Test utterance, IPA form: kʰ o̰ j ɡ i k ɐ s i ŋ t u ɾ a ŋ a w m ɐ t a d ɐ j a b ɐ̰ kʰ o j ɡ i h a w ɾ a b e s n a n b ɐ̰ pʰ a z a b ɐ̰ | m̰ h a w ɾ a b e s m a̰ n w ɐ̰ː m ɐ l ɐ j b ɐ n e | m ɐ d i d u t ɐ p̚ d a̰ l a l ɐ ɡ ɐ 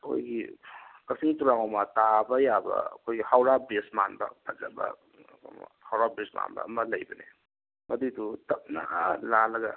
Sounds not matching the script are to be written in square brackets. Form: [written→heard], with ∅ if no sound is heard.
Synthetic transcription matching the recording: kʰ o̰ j ɡ i k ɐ s i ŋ t u ɾ a ŋ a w m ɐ t a [d→b] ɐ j a b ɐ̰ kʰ o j ɡ i h a w ɾ a b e s [n→m] a n b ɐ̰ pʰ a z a b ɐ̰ | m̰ h a w ɾ a b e s m a̰ n [w→b] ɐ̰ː m ɐ l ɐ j b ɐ n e | m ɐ d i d u t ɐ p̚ [d→n] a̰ l a l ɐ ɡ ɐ